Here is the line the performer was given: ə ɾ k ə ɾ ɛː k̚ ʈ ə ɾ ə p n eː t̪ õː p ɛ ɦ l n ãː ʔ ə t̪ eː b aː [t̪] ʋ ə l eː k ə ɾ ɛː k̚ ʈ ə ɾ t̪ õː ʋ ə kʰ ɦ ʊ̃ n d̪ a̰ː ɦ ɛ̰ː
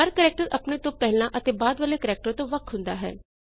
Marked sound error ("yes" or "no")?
yes